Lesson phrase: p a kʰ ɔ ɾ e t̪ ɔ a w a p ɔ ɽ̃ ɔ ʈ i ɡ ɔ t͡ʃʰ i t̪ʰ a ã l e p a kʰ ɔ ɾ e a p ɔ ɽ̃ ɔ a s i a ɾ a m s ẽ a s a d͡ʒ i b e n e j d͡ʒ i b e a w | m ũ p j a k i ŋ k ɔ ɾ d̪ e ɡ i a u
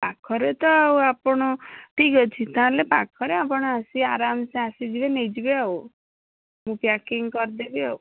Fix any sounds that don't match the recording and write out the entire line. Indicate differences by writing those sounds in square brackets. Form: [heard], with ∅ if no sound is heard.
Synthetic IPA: p a kʰ ɔ ɾ e t̪ ɔ a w a p ɔ ɽ̃ ɔ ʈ i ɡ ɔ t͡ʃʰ i [t̪] a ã l e p a kʰ ɔ ɾ e a p ɔ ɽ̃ ɔ a s i a ɾ a m s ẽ a s [i] d͡ʒ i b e n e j d͡ʒ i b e a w | m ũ p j a k i ŋ k ɔ ɾ d̪ e [b] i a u

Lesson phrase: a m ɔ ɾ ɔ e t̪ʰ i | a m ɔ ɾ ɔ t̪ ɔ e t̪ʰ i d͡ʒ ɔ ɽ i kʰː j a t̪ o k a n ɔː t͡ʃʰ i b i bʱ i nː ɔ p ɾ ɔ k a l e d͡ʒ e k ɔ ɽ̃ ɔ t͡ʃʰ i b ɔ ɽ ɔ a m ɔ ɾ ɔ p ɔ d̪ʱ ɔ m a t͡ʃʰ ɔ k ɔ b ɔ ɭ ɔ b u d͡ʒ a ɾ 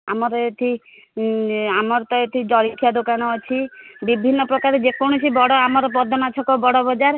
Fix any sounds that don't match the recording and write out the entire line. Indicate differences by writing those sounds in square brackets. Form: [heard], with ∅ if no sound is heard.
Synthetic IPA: a m ɔ ɾ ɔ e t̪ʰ i | a m ɔ ɾ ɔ t̪ ɔ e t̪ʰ i d͡ʒ ɔ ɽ i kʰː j a [d̪] o k a n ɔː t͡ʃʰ i b i bʱ i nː ɔ p ɾ ɔ k a [ɾ] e d͡ʒ e k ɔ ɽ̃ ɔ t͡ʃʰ i b ɔ ɽ ɔ a m ɔ ɾ ɔ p ɔ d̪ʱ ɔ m a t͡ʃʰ ɔ k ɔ b ɔ [ɽ] ɔ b [ɔ] d͡ʒ a ɾ

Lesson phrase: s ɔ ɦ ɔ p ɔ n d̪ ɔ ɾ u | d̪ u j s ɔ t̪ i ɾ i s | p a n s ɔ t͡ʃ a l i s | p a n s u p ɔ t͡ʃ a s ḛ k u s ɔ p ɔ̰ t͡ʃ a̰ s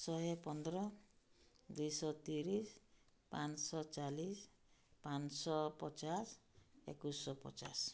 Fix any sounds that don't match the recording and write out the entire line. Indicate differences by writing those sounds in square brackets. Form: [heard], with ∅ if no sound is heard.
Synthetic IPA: s ɔ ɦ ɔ p ɔ n d̪ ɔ ɾ [ɔ] | d̪ u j s ɔ t̪ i ɾ i s | p a n s ɔ t͡ʃ a l i s | p a n s [ɔ] p ɔ t͡ʃ a s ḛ k u s ɔ p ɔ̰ t͡ʃ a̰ s

